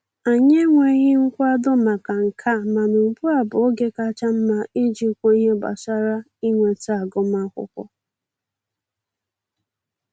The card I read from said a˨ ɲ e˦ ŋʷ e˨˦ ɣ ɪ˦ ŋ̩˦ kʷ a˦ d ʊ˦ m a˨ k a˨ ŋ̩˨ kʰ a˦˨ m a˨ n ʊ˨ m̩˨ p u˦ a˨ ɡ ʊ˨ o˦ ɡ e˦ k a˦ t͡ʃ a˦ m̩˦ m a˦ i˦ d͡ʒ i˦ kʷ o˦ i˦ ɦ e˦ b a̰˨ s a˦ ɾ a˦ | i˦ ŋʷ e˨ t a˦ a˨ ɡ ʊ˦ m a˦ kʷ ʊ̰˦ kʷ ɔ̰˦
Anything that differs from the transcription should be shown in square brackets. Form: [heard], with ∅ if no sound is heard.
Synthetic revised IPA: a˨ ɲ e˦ ŋʷ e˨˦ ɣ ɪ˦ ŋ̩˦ kʷ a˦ d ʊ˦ m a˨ k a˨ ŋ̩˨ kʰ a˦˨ m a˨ n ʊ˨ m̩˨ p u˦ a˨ [b] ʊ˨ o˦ ɡ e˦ k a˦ t͡ʃ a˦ m̩˦ m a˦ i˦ d͡ʒ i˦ kʷ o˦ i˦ ɦ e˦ b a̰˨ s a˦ ɾ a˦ | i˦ ŋʷ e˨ t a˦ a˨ ɡ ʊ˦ m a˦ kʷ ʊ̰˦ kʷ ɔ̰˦